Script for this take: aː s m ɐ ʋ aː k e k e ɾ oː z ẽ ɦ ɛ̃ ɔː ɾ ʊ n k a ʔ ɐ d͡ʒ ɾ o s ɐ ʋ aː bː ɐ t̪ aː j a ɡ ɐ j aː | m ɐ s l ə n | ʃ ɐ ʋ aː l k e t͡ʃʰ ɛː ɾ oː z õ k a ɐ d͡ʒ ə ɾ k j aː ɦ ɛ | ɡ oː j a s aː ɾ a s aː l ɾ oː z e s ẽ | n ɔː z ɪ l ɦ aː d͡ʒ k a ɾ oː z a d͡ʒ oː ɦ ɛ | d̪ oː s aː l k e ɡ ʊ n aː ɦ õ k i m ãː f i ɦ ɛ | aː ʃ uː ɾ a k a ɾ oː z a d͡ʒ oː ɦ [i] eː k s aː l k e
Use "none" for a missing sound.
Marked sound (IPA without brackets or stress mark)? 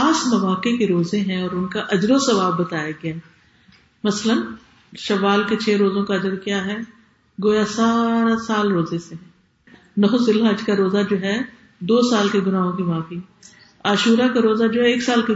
ɛ